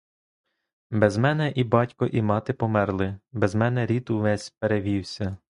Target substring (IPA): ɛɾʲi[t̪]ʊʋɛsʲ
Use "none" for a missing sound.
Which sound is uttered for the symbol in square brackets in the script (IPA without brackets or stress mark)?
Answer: t̪